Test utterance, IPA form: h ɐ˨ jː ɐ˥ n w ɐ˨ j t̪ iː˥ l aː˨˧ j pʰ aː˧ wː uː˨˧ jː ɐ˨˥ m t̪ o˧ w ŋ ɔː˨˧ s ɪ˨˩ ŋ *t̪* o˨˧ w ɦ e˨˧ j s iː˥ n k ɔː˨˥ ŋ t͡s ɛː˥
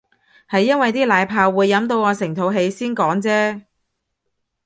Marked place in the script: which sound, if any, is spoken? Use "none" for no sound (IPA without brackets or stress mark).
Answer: t̪ʰ